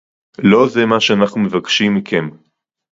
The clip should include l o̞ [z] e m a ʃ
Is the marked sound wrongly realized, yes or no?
no